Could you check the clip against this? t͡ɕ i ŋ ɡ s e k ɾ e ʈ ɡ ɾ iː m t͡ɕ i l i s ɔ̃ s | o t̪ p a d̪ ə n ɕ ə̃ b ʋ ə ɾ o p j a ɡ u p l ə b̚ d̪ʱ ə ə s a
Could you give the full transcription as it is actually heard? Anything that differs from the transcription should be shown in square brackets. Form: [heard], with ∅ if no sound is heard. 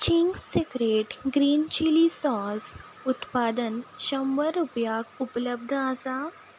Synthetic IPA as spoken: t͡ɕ i ŋ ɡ s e k ɾ e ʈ ɡ ɾ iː [n] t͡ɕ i l i s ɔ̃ s | [u] t̪ p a d̪ ə n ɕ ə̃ [m] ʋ ə ɾ [u] p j a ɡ u p l ə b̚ d̪ʱ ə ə s a